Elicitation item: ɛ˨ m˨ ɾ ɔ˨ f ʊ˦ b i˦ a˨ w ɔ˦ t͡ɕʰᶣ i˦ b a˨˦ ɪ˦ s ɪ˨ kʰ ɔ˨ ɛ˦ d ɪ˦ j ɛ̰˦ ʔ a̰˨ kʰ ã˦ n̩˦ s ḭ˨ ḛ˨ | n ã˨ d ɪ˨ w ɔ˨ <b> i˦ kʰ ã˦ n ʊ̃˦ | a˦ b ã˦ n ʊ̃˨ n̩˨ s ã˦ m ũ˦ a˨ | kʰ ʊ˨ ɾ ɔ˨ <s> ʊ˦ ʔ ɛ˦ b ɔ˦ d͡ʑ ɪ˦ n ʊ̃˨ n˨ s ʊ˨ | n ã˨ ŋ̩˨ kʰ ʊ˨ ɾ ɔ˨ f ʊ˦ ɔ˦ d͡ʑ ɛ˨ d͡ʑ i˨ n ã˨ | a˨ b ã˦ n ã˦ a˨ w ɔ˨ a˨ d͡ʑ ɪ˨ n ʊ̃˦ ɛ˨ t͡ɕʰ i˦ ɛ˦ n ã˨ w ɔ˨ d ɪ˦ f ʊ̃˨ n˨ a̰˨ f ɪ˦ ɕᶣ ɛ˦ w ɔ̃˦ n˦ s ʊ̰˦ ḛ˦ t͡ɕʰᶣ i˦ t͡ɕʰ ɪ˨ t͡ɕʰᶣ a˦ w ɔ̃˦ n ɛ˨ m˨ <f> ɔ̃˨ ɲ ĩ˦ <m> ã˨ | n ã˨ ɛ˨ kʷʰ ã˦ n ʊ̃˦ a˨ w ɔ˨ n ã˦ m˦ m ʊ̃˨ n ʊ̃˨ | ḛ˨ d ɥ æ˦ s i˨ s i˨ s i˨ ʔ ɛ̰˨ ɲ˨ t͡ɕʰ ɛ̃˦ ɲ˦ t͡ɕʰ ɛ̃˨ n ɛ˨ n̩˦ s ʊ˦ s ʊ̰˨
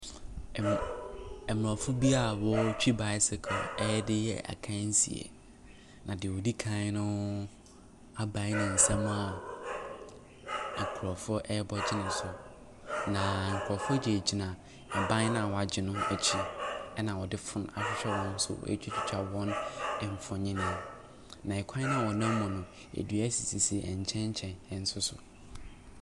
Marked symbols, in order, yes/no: no, no, yes, no

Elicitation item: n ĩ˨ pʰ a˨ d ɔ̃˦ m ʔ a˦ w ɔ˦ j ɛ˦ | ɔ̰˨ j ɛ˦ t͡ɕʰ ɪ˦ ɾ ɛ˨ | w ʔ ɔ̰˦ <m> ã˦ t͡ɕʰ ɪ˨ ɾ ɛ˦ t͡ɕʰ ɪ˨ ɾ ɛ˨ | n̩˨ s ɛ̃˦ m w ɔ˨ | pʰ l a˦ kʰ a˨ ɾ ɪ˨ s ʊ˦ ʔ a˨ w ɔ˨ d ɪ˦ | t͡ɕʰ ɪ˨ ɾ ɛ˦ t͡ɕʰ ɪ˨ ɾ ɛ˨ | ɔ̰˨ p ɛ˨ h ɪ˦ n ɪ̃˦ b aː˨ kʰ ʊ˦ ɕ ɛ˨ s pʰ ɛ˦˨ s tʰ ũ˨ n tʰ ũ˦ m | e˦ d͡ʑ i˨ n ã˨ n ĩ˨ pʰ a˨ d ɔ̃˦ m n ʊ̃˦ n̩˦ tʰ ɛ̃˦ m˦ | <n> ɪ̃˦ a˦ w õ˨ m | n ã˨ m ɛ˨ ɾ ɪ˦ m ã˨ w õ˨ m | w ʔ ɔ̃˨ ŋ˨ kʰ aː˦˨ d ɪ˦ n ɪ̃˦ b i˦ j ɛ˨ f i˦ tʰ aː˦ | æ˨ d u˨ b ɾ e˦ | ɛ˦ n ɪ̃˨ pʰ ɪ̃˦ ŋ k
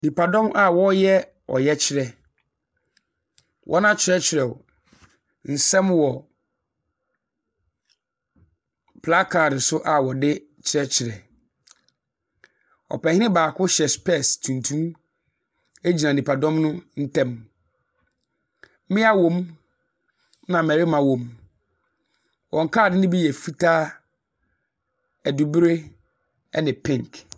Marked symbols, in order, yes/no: no, no

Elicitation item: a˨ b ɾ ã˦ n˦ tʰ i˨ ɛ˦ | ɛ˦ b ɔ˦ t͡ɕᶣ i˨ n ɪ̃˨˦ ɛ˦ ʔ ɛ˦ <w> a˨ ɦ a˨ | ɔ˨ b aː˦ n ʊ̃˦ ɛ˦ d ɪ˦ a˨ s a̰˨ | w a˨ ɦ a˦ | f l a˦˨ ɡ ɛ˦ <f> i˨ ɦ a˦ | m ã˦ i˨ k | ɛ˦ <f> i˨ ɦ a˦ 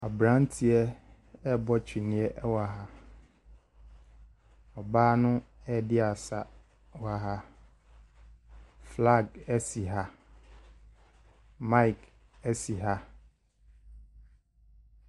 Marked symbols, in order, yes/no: yes, no, no

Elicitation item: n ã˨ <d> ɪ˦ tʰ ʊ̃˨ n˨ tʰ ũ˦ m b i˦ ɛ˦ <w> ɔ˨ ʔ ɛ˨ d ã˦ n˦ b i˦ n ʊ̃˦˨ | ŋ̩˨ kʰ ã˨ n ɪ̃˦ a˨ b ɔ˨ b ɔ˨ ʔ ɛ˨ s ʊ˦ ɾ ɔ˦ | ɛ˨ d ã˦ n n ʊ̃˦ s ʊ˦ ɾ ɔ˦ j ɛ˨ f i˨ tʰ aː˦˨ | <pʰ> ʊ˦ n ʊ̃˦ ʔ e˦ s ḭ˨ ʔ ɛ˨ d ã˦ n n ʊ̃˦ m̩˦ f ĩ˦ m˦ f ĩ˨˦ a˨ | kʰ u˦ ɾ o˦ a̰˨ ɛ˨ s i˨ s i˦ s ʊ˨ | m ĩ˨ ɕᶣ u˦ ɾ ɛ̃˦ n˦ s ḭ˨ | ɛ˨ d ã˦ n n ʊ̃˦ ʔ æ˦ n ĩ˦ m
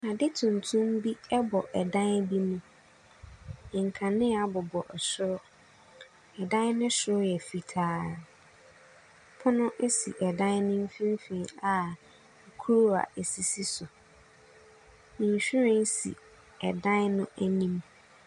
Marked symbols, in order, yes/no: yes, no, yes

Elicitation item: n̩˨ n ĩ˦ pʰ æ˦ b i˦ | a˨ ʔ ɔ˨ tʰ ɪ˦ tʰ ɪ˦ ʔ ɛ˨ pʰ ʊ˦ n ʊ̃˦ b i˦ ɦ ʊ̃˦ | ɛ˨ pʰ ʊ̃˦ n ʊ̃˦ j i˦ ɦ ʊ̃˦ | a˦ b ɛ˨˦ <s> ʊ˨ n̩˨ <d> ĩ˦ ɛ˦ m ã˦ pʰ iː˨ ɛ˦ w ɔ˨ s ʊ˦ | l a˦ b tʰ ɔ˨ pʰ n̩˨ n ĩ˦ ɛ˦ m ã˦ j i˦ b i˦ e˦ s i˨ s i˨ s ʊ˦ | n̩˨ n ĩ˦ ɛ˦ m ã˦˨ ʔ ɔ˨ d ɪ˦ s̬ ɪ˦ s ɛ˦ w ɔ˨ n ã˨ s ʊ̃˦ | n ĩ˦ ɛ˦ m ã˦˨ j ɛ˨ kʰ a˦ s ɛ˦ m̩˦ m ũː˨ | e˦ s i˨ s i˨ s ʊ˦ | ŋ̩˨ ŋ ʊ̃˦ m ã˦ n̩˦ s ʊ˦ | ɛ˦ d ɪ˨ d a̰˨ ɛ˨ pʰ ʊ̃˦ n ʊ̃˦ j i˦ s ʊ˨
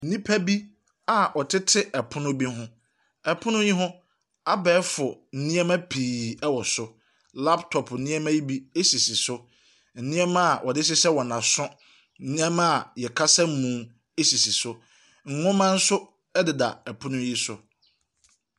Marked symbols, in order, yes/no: no, no

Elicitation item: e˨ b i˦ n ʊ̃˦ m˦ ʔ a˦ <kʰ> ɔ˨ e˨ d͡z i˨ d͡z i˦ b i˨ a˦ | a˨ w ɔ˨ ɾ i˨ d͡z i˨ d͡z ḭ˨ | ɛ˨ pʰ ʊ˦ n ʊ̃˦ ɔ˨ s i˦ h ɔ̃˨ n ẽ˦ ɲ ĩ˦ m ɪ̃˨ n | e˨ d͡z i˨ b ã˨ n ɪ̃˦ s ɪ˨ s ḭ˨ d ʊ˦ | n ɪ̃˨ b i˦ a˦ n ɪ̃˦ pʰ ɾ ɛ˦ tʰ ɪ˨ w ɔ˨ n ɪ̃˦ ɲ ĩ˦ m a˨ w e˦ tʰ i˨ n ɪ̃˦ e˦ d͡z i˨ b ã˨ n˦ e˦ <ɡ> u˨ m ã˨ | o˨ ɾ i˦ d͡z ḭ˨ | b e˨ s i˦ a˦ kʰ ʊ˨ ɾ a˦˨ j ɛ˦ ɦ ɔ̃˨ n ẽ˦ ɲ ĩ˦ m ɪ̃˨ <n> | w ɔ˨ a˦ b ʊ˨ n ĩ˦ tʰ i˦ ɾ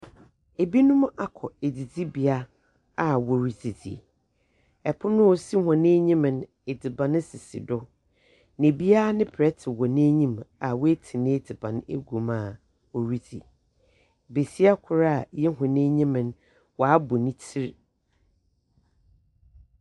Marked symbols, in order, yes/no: yes, yes, yes

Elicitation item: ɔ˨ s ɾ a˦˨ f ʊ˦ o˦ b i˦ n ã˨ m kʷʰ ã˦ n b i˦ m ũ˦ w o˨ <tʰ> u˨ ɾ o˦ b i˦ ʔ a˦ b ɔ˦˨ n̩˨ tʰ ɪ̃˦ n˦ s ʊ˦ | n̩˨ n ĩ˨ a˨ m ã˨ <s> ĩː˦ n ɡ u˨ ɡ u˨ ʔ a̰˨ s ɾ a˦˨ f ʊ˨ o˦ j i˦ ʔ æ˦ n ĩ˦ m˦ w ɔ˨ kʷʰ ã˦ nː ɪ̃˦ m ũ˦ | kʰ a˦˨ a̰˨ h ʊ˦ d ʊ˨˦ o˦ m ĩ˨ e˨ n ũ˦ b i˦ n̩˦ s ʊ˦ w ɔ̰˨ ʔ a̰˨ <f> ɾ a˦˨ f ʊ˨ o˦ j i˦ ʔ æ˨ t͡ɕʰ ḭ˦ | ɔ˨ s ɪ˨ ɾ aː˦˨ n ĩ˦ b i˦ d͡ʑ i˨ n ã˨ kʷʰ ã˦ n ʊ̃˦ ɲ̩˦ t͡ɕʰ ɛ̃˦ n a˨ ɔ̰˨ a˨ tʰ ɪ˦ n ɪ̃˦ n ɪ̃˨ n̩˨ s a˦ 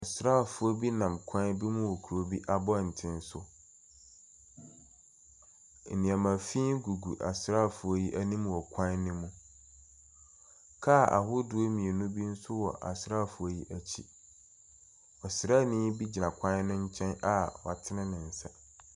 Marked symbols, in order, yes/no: no, no, no

